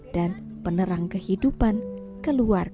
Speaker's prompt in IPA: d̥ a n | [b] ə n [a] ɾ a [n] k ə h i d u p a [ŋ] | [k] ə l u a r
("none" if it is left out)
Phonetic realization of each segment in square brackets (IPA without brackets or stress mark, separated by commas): p, ə, ŋ, n, k